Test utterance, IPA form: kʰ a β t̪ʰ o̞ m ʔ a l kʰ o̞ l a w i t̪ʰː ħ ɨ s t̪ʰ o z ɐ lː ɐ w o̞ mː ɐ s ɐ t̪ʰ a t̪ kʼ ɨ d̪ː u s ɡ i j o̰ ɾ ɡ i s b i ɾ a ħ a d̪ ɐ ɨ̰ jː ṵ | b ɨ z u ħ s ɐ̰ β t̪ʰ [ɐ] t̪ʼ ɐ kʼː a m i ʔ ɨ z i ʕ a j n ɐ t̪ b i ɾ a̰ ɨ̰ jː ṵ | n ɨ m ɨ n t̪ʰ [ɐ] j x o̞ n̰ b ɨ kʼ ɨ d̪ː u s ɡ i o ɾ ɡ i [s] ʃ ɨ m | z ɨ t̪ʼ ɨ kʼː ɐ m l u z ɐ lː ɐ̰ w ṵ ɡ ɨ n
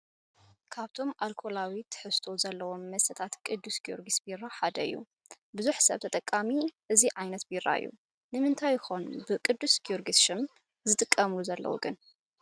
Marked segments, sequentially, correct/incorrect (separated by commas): correct, incorrect, correct